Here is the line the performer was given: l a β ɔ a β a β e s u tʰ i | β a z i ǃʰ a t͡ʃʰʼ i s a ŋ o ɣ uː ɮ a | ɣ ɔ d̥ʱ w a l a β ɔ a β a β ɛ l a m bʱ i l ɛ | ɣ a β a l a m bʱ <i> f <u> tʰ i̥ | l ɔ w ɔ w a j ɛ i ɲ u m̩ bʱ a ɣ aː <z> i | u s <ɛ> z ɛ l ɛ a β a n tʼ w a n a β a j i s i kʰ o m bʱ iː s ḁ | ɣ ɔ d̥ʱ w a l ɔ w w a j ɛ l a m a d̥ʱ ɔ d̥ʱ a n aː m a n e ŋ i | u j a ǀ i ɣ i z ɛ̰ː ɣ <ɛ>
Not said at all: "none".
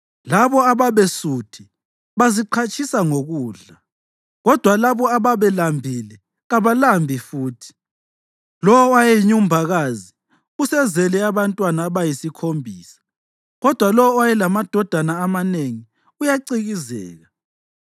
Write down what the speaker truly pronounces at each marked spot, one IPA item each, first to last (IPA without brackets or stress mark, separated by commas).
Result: i, uː, z, ɛ, a